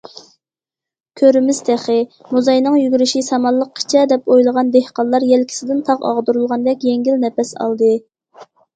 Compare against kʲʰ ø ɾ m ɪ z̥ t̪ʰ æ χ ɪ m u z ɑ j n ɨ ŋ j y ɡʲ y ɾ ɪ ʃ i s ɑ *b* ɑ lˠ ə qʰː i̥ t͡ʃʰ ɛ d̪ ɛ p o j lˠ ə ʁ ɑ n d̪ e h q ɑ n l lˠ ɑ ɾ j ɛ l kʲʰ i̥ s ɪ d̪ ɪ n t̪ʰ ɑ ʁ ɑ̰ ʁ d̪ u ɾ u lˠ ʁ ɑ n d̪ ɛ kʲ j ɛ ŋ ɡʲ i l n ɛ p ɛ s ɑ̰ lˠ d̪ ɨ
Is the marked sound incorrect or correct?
incorrect